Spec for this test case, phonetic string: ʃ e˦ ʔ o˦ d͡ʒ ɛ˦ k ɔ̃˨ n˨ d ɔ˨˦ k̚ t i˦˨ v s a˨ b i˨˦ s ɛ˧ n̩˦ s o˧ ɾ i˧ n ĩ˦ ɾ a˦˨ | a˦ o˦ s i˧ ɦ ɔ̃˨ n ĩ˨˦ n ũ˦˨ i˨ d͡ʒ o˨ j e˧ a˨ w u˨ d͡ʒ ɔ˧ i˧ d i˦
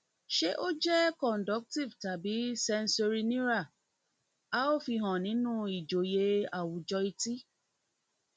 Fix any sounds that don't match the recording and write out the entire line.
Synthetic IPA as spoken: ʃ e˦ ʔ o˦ d͡ʒ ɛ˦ k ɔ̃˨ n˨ d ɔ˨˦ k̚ t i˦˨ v t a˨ b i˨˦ s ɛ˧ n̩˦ s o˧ ɾ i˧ n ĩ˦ ɾ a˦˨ | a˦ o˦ f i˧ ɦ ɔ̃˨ n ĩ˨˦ n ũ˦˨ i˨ d͡ʒ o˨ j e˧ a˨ w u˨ d͡ʒ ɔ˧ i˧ t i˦